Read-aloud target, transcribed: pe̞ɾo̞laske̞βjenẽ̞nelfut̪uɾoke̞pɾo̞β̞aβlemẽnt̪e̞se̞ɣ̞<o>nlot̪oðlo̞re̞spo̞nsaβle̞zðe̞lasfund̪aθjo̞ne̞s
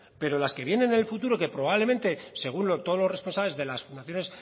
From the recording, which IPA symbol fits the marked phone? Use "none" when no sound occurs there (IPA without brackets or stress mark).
u